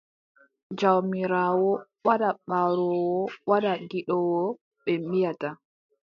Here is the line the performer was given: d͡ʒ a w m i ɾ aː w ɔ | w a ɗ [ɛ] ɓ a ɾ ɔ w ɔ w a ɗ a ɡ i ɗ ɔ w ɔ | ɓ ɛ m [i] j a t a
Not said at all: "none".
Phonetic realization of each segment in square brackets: a, i

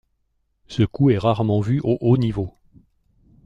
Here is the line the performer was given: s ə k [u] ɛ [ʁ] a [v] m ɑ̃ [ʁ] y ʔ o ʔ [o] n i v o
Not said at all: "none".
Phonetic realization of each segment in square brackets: u, ʁ, ʁ, v, o

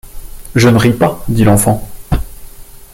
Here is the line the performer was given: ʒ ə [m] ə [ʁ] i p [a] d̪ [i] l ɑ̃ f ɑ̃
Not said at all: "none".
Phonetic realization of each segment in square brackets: n, ʁ, a, i

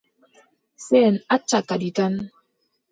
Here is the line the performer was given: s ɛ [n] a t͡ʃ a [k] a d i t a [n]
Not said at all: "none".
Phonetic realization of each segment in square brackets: n, k, n

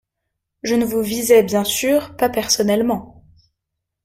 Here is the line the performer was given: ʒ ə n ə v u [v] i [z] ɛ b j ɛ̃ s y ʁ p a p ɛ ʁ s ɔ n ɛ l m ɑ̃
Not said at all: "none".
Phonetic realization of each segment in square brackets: v, z

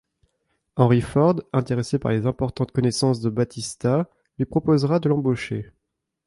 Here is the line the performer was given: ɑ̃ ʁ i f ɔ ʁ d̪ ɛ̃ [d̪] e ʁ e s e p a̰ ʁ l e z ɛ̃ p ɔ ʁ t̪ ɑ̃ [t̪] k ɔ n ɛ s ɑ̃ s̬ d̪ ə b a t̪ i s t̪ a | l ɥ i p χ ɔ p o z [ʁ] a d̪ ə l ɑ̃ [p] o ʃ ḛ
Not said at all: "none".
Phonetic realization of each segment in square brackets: t̪, t̪, ʁ, b

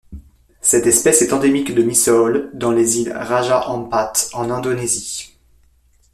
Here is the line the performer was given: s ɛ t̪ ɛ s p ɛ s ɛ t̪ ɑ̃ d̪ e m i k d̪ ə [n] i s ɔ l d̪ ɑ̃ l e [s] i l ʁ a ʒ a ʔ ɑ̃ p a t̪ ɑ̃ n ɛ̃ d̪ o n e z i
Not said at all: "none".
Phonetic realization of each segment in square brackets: m, z

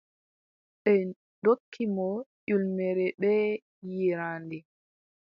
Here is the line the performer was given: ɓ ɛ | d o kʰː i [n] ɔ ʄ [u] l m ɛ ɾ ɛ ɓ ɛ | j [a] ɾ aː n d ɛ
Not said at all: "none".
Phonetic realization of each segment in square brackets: m, u, i

